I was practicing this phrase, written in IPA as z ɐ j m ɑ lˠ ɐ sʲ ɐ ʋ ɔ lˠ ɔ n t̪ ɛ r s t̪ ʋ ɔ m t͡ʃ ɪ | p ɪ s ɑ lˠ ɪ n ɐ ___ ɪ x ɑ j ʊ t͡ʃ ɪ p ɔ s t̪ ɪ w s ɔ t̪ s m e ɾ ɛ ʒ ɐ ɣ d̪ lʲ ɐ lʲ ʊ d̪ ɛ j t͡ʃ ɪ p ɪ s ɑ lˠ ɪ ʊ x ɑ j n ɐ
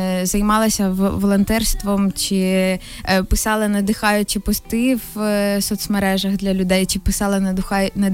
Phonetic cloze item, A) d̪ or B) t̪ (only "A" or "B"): A